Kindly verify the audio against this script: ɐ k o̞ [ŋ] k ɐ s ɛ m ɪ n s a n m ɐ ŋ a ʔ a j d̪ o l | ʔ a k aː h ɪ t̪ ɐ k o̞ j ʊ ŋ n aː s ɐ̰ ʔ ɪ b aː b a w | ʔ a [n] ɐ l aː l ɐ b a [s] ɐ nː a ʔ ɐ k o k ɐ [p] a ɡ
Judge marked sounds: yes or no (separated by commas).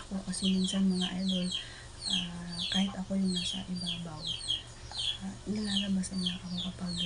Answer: no, yes, yes, yes